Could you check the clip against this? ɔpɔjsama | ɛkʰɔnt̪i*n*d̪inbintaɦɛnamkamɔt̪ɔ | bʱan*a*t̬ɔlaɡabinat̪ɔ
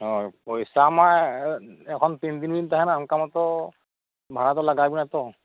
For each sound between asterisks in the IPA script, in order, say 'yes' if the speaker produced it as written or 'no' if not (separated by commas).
yes, yes